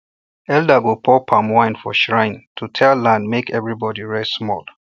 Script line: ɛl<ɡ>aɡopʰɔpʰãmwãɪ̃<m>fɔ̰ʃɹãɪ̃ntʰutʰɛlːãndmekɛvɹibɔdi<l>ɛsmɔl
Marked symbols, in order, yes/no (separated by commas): no, no, no